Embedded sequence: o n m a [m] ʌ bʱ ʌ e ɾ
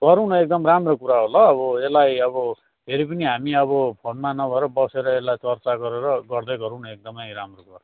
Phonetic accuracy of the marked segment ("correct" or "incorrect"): incorrect